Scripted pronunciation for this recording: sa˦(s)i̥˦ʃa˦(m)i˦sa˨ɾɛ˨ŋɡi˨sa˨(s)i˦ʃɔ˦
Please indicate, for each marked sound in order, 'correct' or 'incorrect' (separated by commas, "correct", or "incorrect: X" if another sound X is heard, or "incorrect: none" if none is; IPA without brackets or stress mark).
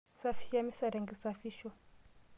incorrect: f, correct, incorrect: f